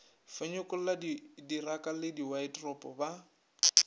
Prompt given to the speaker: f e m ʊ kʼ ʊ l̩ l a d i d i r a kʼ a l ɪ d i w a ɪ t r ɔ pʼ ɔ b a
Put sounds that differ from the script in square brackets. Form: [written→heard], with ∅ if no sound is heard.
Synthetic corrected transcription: f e [m→ɲ] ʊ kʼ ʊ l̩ l a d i d i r a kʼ a l ɪ d i w a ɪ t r ɔ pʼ ɔ b a